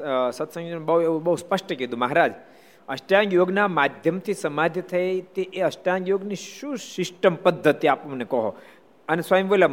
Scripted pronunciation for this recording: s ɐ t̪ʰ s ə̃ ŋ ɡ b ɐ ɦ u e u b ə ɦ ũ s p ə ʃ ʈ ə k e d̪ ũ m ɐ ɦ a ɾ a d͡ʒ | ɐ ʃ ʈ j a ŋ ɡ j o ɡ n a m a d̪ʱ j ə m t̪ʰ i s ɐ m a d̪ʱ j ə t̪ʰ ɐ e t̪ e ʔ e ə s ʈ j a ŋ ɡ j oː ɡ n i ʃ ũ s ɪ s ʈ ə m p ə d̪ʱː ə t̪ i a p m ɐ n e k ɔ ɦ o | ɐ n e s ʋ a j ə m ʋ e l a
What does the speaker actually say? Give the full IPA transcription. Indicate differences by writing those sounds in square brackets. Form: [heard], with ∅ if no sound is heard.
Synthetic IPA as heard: s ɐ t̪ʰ s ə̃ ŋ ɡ b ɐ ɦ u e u b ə ɦ [u] s p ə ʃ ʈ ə k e d̪ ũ m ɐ ɦ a ɾ a d͡ʒ | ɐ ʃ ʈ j a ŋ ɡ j o ɡ n a m a d̪ʱ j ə m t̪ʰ i s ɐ m a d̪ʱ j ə t̪ʰ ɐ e t̪ e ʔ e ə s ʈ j a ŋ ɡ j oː ɡ n i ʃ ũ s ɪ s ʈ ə m p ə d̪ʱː ə t̪ i a p m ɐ n e k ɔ ɦ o | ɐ n e s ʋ a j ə m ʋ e l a